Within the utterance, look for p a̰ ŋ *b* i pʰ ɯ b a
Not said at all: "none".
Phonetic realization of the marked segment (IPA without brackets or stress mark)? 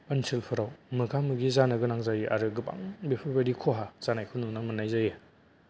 b